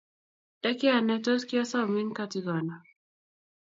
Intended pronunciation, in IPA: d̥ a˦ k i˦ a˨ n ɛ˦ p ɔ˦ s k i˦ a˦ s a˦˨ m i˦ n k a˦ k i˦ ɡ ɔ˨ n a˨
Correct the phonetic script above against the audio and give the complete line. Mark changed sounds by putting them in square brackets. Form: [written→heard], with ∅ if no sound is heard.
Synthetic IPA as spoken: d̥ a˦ k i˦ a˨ n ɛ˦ [p→t] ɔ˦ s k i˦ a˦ s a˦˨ m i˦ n k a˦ [k→t] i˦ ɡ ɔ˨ n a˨